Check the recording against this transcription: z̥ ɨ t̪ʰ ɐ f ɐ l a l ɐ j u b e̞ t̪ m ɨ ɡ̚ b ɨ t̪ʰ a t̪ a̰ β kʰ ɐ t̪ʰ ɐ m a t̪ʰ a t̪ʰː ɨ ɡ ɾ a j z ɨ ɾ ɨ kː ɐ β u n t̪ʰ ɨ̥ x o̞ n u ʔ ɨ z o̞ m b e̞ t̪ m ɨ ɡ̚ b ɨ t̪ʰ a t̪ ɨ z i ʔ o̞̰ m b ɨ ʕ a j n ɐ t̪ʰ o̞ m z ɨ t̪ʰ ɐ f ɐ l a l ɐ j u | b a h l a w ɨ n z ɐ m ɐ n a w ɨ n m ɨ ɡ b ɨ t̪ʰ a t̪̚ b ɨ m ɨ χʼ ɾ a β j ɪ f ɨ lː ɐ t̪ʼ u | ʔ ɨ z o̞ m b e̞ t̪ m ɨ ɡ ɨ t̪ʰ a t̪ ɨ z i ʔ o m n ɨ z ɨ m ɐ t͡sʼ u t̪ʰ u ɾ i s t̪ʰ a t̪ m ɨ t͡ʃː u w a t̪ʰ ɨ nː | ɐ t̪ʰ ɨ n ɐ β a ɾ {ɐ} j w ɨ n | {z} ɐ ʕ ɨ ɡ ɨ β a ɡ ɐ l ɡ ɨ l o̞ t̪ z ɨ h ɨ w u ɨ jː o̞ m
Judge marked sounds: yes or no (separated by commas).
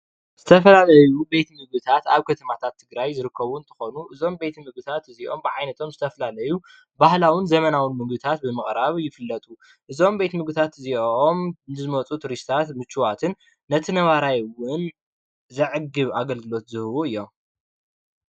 no, yes